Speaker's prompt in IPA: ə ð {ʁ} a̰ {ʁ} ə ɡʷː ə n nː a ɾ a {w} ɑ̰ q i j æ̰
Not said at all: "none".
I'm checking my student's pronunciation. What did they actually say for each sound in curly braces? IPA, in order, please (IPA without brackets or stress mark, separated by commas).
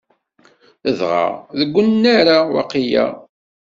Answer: ʁ, ð, w